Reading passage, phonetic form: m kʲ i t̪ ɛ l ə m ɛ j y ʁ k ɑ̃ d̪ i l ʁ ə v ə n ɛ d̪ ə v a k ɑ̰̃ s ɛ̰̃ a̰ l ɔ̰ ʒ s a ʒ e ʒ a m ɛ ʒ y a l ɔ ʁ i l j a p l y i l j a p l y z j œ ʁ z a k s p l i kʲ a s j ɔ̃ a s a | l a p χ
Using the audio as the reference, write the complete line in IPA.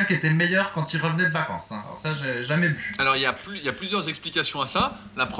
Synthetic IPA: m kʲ e t̪ ɛ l ə m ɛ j œ ʁ k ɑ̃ t̪ i l ʁ ə v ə n ɛ d̪ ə v a k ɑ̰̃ s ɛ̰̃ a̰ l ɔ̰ ʁ s a ʒ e ʒ a m ɛ v y a l ɔ ʁ i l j a p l y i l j a p l y z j œ ʁ z ɛ k s p l i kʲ a s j ɔ̃ a s a | l a p χ